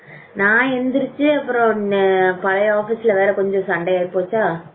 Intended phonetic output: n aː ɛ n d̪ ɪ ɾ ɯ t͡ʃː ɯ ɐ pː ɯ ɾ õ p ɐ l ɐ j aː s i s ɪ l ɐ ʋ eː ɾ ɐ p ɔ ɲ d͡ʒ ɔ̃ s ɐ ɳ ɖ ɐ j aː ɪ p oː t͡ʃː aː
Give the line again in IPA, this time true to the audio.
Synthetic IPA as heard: n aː ɛ n d̪ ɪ ɾ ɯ t͡ʃː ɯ ɐ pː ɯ ɾ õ p ɐ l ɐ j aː f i s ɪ l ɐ ʋ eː ɾ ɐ k ɔ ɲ d͡ʒ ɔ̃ s ɐ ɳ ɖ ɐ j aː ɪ p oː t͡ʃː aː

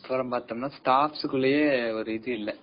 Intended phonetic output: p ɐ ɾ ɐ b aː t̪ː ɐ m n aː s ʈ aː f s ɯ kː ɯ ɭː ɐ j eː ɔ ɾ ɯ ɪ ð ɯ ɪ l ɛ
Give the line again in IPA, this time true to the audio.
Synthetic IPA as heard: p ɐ ɾ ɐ m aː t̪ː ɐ m n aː s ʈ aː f s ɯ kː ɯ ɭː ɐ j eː ɔ ɾ ɯ ɪ ð ɯ ɪ lː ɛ

